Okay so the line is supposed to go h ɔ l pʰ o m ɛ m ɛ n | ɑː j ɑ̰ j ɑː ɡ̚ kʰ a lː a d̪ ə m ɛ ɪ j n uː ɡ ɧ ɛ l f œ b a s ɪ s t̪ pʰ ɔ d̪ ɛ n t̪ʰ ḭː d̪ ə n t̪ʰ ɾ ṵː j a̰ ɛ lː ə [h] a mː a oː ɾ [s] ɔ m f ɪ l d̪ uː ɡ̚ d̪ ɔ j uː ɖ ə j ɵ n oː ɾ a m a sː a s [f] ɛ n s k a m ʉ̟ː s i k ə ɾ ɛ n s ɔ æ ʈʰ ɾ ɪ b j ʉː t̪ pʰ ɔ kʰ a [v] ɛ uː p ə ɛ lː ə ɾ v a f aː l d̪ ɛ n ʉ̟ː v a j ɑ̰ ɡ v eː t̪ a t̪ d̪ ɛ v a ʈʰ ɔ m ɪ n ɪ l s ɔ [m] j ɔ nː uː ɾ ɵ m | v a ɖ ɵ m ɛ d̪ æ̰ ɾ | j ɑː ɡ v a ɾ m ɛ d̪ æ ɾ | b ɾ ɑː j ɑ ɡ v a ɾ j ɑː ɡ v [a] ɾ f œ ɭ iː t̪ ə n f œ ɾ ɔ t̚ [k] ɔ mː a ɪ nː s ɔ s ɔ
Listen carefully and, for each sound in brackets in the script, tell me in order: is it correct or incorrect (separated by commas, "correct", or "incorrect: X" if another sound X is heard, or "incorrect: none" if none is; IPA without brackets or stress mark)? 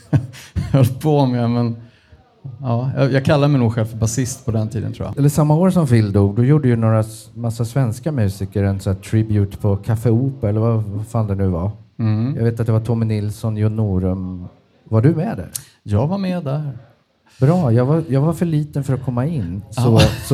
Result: incorrect: ʂ, correct, incorrect: v, incorrect: f, incorrect: n, correct, incorrect: kʰ